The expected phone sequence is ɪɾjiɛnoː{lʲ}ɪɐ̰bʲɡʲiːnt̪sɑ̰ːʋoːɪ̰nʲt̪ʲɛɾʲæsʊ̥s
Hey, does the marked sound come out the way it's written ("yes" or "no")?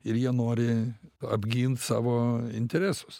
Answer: no